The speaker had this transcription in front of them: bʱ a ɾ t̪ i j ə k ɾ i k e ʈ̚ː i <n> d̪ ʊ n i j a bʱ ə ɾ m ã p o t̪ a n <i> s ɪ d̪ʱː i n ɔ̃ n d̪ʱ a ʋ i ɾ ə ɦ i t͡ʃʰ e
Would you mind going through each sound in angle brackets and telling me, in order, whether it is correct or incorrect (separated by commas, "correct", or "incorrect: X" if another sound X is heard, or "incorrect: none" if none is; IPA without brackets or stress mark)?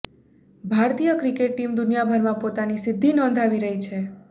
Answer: incorrect: m, correct